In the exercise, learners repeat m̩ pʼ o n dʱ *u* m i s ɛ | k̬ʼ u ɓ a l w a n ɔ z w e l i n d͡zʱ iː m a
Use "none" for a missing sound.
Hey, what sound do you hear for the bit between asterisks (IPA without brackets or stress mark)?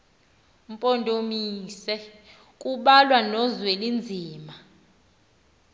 o